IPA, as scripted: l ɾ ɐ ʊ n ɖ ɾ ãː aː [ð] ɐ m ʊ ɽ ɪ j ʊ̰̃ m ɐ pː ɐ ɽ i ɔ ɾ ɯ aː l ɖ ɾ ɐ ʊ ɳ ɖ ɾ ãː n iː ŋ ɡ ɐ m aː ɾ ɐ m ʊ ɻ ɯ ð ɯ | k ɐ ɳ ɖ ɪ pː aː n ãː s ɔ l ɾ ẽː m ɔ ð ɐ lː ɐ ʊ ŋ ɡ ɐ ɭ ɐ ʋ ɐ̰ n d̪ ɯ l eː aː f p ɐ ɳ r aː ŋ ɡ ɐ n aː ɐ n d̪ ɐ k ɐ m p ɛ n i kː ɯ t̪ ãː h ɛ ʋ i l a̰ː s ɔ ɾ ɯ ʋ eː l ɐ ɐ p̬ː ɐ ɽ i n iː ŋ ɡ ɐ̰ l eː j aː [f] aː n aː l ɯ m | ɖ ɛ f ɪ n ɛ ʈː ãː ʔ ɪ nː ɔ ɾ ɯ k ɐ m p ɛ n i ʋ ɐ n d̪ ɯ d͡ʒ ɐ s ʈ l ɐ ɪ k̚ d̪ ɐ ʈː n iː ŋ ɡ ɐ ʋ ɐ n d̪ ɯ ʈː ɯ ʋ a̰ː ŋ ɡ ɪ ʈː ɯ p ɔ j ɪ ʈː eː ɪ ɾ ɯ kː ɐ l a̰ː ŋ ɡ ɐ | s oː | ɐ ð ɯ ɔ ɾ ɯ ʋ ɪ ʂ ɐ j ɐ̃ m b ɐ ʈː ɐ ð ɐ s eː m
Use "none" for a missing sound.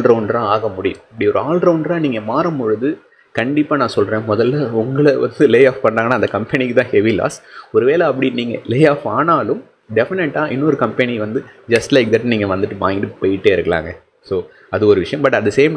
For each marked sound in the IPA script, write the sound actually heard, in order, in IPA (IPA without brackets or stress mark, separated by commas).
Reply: ɣ, f